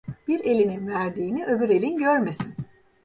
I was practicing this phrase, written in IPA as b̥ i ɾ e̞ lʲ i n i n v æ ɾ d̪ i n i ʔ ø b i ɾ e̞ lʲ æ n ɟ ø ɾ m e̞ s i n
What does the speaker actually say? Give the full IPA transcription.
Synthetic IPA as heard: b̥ i ɾ e̞ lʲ i n i n v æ ɾ d̪ iː n i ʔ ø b y ɾ e̞ lʲ i n ɟ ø ɾ m e̞ s i n